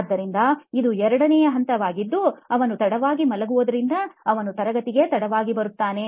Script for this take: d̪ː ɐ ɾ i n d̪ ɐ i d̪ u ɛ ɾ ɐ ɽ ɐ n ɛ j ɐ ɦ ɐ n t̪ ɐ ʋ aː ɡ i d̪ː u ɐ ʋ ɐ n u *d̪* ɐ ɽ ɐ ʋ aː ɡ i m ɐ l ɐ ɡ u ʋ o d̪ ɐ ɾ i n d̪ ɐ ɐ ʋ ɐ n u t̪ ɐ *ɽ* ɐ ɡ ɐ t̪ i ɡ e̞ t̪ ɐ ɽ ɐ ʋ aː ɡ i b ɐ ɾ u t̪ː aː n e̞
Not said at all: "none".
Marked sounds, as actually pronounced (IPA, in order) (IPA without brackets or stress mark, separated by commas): t̪, ɾ